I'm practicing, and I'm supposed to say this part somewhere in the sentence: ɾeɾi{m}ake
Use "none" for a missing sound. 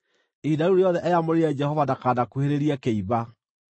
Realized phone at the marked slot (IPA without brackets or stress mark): none